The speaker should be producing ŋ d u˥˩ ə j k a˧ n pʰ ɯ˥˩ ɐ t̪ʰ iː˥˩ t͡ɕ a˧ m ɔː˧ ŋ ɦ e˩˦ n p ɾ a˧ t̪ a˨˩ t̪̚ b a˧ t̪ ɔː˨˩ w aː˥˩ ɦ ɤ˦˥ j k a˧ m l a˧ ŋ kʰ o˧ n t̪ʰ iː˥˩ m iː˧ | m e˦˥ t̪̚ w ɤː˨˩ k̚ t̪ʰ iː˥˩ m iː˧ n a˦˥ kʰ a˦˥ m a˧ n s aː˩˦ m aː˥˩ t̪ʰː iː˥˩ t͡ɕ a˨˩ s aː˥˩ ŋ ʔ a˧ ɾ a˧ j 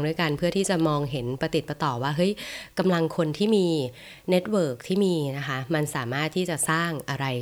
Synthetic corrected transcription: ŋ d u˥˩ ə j k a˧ n pʰ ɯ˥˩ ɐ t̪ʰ iː˥˩ t͡ɕ a˨˩ m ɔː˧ ŋ ɦ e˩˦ n p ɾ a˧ t̪ i˨˩ t̪̚ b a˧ t̪ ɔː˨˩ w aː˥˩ ɦ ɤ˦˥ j k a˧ m l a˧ ŋ kʰ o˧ n t̪ʰ iː˥˩ m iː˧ | n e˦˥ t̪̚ w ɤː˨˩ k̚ t̪ʰ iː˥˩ m iː˧ n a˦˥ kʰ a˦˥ m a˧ n s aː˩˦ m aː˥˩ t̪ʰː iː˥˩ t͡ɕ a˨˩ s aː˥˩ ŋ ʔ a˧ ɾ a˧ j